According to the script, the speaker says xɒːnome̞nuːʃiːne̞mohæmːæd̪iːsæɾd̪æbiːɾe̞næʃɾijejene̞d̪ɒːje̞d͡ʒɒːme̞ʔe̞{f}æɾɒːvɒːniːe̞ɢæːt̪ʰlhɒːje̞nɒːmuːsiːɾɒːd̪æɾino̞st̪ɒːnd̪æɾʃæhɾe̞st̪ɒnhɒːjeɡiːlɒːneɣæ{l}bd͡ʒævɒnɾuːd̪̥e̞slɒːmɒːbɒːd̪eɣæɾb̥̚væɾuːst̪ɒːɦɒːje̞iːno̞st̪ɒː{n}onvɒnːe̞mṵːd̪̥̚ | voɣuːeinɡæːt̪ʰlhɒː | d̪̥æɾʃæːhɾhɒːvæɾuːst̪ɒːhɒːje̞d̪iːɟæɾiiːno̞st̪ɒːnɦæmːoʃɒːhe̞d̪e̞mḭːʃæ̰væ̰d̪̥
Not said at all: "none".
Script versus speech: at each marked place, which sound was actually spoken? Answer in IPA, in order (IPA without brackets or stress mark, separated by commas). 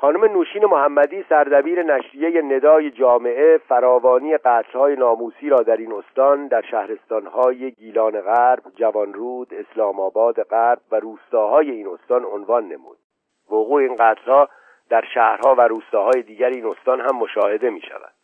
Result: f, ɾ, n